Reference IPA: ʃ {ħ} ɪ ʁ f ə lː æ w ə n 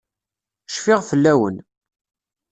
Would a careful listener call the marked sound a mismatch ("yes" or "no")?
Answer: yes